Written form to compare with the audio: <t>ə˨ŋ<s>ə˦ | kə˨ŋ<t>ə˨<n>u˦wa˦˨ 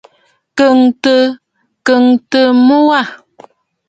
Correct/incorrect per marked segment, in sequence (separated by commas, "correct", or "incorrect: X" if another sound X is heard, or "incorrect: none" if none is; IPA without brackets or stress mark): incorrect: k, incorrect: t, correct, incorrect: m